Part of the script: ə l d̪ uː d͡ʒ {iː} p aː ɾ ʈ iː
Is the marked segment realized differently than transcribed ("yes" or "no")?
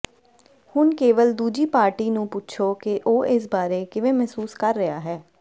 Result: no